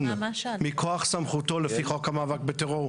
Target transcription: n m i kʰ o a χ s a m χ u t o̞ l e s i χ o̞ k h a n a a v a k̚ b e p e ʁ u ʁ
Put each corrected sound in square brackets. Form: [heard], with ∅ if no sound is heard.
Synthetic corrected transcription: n m i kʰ o a χ s a m χ u t o̞ l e [f] i χ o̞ k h a [m] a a v a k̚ b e [t] e ʁ [o] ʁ